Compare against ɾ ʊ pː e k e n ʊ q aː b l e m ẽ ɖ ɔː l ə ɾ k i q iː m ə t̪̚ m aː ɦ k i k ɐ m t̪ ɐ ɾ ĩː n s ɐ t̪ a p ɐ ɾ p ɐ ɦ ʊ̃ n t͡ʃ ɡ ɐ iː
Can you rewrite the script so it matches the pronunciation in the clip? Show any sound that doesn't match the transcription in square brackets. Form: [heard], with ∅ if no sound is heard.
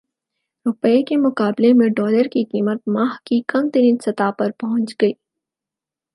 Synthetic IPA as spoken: ɾ ʊ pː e k e [m] ʊ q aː b l e m ẽ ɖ ɔː l ə ɾ k i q iː m ə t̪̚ m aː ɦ k i k ɐ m t̪ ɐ ɾ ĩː n s ɐ t̪ a p ɐ ɾ p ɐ ɦ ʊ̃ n t͡ʃ ɡ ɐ iː